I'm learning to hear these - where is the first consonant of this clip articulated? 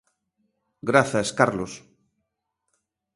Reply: velum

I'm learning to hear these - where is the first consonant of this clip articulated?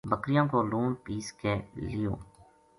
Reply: lips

